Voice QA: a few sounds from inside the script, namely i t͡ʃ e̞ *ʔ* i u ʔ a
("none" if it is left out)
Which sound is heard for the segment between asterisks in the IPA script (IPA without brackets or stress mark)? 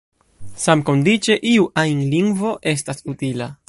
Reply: ʔ